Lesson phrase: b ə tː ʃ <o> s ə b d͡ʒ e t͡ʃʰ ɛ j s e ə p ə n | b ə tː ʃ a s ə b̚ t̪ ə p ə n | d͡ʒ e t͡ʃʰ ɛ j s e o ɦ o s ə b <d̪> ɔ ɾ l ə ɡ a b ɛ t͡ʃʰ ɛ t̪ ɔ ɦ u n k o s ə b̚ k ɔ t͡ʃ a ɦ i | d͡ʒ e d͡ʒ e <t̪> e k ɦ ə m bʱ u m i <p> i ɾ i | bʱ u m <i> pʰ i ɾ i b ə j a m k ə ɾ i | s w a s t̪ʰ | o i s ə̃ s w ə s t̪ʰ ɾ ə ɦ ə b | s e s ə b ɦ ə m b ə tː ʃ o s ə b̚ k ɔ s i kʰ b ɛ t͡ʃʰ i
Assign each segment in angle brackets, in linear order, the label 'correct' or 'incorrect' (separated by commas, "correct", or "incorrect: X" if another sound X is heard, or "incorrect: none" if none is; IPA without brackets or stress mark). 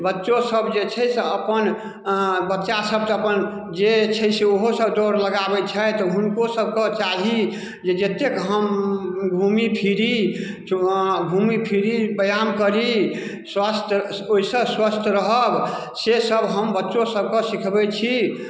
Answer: correct, correct, correct, incorrect: pʰ, correct